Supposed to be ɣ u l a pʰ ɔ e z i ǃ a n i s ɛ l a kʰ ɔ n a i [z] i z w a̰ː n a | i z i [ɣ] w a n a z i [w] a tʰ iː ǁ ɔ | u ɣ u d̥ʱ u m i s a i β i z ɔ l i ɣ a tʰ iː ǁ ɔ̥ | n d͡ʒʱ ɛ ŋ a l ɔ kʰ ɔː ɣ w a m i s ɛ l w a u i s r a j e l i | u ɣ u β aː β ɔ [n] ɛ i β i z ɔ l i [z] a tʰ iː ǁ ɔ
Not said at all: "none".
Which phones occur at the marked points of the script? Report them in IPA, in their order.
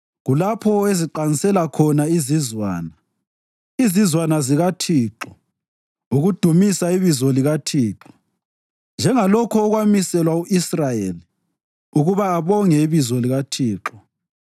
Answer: z, z, ɣ, ŋ, ɣ

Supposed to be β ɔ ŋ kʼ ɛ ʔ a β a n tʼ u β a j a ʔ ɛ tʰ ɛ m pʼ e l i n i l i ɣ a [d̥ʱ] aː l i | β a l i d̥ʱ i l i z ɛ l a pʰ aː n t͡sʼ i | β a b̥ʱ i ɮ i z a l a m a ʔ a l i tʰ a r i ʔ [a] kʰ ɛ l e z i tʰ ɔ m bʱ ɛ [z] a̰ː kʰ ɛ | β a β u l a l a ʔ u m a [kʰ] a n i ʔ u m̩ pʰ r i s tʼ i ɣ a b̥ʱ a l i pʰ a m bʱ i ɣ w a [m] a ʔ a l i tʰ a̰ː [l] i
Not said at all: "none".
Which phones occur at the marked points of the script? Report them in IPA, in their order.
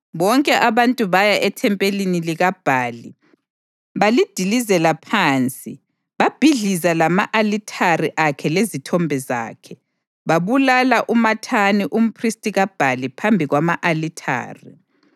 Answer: b̥ʱ, a, z, tʰ, m, r

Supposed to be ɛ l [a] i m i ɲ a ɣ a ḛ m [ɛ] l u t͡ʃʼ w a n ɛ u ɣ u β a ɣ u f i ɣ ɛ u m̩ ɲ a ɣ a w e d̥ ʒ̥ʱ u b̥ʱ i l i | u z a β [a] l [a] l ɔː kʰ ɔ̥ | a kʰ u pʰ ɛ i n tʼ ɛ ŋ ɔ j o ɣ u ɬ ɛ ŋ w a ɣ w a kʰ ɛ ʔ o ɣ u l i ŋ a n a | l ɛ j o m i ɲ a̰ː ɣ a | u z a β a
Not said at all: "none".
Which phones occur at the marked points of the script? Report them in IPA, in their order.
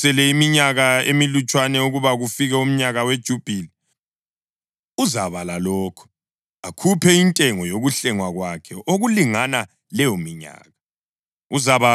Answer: ɛ, i, a, a

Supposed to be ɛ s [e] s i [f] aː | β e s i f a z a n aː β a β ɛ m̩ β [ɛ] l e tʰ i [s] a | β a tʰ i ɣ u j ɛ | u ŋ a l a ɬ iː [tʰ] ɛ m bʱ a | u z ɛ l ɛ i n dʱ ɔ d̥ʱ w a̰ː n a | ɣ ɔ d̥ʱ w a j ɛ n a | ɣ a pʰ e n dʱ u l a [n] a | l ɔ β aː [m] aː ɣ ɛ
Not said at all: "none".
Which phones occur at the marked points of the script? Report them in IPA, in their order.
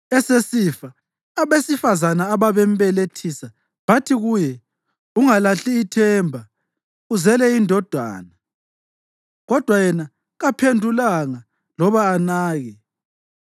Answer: e, f, ɛ, s, tʰ, ŋ, n

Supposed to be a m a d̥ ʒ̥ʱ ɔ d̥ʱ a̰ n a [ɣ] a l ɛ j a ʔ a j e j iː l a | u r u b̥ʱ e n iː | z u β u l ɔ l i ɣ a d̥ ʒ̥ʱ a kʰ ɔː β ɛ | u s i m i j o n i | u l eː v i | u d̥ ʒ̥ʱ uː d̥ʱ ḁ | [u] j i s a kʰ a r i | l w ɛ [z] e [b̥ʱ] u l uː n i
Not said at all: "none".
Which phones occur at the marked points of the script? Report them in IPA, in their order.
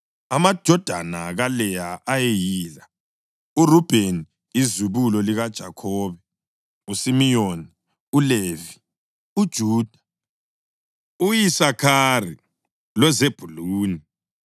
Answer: ɣ, u, z, b̥ʱ

